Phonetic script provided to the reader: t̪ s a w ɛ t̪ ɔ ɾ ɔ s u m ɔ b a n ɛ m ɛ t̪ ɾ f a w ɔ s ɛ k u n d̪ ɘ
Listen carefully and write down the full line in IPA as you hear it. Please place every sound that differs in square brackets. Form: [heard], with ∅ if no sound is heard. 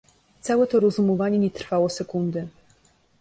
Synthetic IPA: t̪ s a w ɛ t̪ ɔ ɾ ɔ [z] u m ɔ [v] a [ɲ] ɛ [ɲ] ɛ t̪ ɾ f a w ɔ s ɛ k u n d̪ ɘ